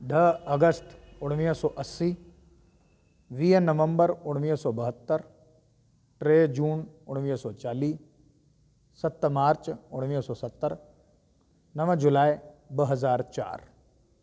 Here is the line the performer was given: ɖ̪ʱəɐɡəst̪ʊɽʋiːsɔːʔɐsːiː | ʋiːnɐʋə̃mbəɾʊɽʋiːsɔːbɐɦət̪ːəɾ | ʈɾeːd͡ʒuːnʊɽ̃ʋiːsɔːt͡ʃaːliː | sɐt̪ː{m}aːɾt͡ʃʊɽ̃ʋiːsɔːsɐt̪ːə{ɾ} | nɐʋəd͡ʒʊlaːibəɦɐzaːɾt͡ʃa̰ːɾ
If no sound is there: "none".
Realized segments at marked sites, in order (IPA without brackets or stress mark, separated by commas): m, ɾ